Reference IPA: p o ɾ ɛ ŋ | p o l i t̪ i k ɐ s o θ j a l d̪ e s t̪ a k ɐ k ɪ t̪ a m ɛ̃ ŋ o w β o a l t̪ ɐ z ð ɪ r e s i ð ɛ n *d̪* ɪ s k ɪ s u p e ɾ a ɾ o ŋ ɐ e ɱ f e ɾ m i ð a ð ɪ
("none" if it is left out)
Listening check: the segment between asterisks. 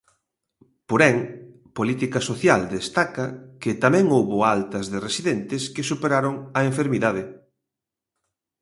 t̪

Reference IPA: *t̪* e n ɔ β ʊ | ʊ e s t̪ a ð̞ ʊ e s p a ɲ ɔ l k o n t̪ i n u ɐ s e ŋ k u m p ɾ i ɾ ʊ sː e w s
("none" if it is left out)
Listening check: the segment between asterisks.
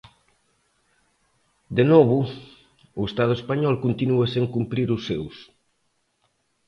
d̪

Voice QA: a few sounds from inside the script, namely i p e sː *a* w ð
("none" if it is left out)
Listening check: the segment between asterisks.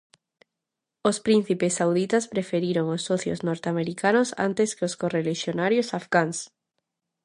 a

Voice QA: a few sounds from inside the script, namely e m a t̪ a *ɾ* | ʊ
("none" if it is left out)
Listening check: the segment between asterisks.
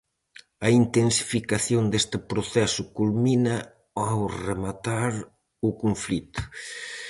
ɾ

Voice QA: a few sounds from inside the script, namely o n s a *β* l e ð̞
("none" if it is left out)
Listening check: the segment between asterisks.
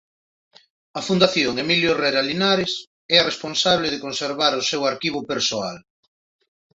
β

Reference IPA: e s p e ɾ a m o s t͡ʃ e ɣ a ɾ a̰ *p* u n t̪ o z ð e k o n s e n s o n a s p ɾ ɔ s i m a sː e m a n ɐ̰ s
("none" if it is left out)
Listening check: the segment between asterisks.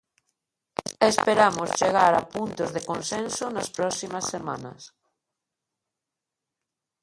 p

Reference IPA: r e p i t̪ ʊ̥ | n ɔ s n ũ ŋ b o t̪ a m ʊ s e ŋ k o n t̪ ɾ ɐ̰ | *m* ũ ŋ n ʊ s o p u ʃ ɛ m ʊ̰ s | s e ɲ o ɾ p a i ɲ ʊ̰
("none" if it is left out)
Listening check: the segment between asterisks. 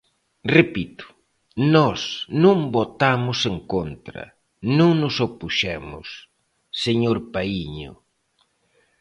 n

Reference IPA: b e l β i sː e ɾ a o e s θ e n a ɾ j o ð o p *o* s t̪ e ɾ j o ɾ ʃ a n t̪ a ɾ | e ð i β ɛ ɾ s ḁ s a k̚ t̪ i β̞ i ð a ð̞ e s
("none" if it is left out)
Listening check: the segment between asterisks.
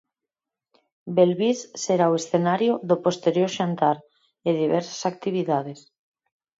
o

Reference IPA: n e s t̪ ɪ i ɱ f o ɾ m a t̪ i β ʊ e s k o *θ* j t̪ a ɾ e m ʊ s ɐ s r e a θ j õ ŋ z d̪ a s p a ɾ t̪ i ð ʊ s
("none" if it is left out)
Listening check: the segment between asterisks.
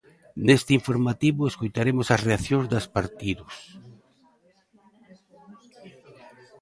none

